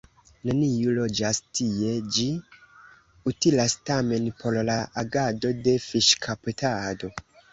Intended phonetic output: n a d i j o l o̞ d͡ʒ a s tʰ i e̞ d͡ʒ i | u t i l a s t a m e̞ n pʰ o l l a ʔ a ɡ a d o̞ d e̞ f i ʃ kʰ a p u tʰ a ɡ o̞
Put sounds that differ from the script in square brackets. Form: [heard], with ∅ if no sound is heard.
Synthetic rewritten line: n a [n] i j [u] l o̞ d͡ʒ a s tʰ i e̞ d͡ʒ i | u t i l a s t a m e̞ n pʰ o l l a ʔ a ɡ a d o̞ d e̞ f i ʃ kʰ a p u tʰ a [d] o̞